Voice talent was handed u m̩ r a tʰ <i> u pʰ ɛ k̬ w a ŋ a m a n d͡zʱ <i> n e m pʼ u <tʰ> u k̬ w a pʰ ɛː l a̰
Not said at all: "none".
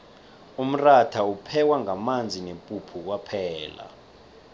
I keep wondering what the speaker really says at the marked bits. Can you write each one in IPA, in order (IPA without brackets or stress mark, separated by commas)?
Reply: a, i, pʰ